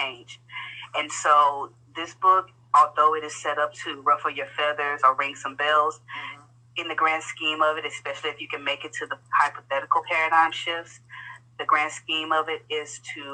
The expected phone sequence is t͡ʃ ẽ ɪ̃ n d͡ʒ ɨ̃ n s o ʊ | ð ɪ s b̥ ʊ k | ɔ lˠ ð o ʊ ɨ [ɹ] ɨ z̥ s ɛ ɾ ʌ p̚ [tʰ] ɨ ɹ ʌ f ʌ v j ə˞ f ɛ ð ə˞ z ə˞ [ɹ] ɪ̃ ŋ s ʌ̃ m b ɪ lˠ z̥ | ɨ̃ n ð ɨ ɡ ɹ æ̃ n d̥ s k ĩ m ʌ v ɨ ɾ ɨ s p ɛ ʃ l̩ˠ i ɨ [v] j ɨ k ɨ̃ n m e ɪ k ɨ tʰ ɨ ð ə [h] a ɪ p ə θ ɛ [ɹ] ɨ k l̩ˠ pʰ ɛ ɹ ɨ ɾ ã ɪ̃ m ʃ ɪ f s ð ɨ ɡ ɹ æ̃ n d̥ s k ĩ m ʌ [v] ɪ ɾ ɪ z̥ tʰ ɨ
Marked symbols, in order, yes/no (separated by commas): no, yes, yes, no, yes, no, yes